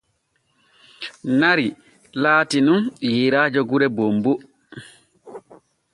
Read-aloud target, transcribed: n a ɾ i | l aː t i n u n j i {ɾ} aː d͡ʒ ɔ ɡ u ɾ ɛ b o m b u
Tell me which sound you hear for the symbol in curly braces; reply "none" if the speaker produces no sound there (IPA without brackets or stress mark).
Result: ɾ